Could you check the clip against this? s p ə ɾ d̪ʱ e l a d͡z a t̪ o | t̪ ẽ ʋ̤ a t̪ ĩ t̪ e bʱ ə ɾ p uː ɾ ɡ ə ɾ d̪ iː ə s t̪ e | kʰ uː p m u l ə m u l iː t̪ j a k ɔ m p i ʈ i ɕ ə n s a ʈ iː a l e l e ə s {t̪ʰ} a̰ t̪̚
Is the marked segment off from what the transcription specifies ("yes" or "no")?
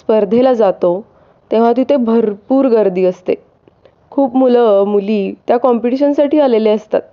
yes